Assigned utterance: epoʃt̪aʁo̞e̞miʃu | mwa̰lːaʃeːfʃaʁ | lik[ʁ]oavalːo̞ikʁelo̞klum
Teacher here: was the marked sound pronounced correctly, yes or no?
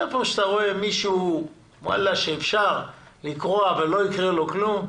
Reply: yes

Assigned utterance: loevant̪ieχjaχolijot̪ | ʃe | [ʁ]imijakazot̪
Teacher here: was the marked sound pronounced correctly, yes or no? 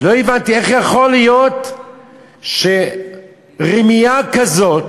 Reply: yes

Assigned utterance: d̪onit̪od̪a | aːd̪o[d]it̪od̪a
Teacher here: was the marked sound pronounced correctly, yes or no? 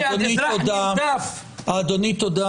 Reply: no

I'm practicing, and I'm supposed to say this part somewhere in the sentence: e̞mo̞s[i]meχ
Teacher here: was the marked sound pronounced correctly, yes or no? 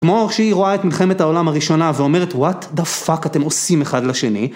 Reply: yes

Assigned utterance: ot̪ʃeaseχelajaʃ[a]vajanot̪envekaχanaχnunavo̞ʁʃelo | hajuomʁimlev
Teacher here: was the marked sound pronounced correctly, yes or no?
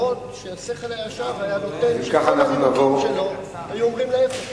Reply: yes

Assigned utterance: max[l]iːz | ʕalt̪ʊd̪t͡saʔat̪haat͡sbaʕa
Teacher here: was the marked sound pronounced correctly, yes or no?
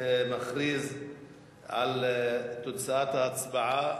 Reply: no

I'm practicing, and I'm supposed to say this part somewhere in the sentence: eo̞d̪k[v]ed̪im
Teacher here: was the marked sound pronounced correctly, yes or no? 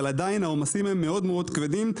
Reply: yes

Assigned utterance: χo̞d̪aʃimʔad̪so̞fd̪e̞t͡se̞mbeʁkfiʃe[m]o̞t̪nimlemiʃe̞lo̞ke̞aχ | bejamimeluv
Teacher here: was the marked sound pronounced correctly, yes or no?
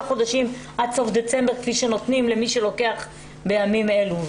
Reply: no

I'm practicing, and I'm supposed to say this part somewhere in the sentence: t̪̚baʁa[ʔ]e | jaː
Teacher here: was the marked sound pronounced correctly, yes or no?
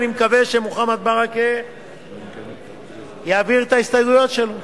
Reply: no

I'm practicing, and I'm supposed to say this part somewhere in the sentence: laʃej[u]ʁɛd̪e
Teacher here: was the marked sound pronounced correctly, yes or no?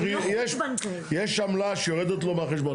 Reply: no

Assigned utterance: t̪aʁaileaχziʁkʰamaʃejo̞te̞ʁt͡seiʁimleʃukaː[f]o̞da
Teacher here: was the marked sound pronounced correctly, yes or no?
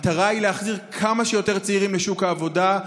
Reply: no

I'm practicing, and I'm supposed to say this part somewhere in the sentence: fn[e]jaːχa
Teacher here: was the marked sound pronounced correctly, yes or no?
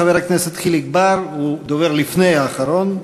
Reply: yes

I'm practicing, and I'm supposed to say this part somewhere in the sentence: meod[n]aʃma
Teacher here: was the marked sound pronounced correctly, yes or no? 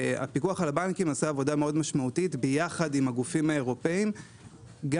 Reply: no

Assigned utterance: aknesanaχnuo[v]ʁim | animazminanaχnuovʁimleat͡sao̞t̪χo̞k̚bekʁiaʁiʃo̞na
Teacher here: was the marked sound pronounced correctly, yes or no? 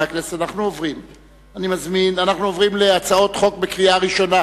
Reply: yes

